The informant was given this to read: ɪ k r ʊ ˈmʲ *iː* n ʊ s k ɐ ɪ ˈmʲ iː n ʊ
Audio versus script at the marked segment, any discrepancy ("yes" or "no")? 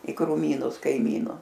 no